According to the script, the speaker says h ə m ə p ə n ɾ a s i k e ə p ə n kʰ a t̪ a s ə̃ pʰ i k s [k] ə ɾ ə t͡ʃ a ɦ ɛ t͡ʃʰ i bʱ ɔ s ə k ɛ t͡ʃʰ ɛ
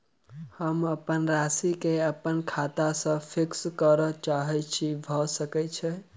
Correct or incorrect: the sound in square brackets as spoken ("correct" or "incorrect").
correct